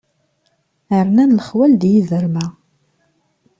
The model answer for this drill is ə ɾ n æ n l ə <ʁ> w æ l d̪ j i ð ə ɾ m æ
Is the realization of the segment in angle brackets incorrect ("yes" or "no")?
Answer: yes